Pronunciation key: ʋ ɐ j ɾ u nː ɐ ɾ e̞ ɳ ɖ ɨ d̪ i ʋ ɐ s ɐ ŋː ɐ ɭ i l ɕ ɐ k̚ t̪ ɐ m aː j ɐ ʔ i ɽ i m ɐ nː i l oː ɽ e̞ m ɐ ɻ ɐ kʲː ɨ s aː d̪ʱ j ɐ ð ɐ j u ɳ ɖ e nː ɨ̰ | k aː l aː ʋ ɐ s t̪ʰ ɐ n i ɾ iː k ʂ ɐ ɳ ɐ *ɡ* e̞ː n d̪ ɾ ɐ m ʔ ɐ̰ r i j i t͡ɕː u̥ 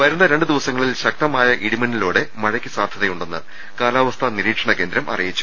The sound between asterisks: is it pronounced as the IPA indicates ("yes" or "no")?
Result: no